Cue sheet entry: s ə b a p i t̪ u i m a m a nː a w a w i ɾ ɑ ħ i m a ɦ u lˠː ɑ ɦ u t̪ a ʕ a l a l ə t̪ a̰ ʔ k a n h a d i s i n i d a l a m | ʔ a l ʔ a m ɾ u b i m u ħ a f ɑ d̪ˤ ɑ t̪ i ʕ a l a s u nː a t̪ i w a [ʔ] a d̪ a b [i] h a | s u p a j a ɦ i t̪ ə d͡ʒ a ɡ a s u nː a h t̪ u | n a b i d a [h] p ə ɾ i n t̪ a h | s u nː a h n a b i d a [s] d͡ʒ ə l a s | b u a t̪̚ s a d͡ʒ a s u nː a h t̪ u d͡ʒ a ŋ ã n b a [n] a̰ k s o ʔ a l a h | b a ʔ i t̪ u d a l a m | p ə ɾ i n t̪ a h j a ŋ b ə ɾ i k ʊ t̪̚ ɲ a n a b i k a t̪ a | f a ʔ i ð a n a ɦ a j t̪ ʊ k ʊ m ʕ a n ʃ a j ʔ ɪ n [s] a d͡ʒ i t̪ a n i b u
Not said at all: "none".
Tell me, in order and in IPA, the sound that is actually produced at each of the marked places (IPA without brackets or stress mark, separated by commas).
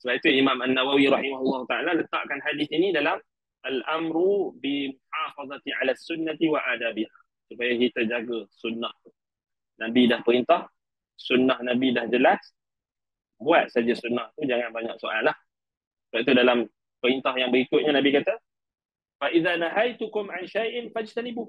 ʔ, i, h, h, ɲ, f